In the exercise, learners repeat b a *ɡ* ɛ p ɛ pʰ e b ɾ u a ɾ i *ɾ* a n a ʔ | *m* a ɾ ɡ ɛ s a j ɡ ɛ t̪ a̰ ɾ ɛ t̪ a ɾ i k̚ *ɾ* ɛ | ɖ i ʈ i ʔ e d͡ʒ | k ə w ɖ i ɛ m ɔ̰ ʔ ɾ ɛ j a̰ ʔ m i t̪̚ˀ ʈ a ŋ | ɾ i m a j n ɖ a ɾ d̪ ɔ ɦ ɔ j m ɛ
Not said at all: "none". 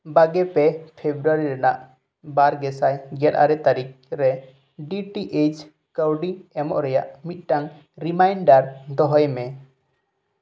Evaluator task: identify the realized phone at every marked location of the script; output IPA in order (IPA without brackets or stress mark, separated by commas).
ɡ, ɾ, b, ɾ